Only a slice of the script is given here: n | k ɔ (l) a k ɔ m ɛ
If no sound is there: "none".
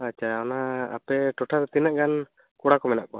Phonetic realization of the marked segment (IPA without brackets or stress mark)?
ɽ